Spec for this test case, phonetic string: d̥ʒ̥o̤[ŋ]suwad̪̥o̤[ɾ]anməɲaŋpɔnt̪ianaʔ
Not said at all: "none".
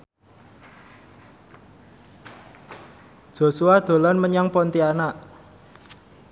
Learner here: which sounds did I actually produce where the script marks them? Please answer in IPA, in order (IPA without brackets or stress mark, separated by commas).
none, l